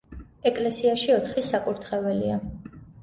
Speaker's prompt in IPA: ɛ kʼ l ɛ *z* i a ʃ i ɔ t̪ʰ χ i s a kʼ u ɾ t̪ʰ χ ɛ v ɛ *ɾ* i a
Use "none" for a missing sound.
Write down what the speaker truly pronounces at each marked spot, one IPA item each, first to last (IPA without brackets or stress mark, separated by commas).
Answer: s, l